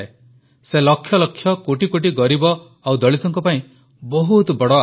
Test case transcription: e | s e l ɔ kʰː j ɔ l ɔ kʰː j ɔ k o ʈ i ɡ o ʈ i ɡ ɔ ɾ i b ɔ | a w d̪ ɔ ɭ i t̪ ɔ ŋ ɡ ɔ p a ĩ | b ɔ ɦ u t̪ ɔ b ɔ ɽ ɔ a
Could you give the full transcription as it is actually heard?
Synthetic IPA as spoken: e | s e l ɔ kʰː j ɔ l ɔ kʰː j ɔ k o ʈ i k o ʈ i ɡ ɔ ɾ i b ɔ | a w d̪ ɔ ɭ i t̪ ɔ ŋ k ɔ p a ĩ | b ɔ ɦ u t̪ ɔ b ɔ ɽ ɔ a